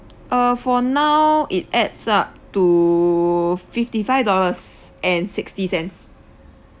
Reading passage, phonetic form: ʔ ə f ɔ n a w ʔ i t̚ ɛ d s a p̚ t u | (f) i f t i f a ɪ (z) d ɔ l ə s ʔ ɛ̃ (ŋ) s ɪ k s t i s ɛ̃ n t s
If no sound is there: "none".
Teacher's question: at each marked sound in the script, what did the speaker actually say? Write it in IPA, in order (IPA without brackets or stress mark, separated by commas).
f, v, n